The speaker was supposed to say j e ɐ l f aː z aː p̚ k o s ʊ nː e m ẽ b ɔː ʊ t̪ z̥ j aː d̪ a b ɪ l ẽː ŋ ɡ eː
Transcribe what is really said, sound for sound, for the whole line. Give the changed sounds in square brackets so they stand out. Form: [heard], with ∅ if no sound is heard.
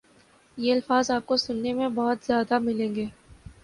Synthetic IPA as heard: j e ɐ l f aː z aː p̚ k o s ʊ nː e m ẽ b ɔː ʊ t̪ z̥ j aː d̪ a [m] ɪ l ẽː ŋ ɡ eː